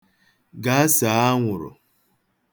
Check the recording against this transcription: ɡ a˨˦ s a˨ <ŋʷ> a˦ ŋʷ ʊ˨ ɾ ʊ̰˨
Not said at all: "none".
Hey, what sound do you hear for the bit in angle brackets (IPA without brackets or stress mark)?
none